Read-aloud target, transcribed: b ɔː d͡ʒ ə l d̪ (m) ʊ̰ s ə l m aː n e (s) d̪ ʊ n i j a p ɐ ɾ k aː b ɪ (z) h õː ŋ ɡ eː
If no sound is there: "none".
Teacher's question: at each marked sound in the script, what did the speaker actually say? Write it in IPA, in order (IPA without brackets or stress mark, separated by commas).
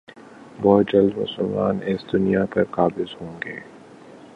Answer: m, s, z